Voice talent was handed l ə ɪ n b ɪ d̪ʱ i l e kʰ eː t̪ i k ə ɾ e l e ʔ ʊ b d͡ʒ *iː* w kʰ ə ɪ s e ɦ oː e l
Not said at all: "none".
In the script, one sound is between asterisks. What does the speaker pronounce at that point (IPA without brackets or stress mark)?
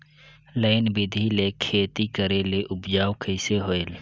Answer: aː